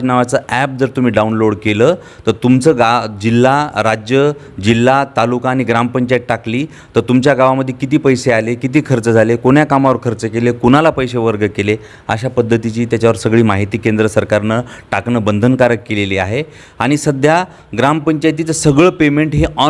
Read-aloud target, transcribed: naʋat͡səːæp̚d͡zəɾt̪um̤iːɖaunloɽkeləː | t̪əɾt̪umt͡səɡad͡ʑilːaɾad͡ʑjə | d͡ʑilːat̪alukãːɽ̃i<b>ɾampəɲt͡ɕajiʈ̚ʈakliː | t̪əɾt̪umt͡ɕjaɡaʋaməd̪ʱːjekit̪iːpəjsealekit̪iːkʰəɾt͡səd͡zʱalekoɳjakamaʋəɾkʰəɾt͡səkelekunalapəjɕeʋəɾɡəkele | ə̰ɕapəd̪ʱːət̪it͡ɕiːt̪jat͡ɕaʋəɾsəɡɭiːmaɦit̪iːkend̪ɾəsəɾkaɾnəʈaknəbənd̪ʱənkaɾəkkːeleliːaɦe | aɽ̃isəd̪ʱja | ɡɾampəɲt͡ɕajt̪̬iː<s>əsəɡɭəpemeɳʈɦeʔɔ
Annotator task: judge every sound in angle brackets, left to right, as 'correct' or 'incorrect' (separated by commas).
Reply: incorrect, incorrect